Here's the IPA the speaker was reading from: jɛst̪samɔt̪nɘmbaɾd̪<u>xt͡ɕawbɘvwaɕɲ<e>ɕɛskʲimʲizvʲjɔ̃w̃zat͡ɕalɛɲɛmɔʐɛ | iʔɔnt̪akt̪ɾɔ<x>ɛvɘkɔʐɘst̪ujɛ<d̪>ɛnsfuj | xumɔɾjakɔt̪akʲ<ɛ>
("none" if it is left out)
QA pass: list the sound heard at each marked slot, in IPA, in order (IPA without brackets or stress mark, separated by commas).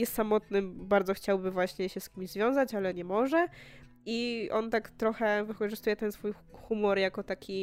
ɔ, ɛ, x, t̪, i